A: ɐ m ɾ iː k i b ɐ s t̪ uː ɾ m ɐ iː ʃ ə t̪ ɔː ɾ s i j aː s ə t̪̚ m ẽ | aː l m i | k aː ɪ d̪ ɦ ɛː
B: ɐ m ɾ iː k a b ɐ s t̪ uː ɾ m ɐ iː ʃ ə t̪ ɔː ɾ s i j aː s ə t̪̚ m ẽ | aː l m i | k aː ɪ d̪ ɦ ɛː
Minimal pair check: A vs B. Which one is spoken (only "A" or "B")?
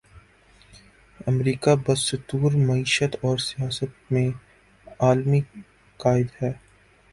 B